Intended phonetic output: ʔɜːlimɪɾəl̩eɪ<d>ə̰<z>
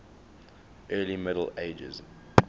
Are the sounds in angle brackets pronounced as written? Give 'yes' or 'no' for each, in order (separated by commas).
no, yes